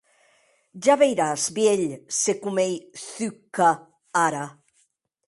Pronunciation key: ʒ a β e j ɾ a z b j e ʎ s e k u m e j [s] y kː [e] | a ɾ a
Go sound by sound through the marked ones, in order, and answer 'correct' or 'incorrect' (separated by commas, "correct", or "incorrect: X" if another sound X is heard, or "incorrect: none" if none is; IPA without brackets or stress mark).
incorrect: θ, incorrect: a